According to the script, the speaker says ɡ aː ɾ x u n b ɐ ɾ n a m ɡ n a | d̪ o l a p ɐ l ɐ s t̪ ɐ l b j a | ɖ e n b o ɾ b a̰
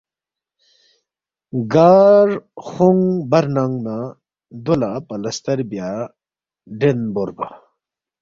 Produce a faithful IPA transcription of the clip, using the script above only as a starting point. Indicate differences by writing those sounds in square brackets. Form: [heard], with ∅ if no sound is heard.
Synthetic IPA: ɡ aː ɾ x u [ŋ] b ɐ ɾ n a [ŋ] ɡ n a | d̪ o l a p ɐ l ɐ s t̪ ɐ [ɾ] b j a | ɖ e n b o ɾ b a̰